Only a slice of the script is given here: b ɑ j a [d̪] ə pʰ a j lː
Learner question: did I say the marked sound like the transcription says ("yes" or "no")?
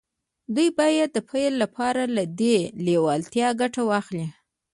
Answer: no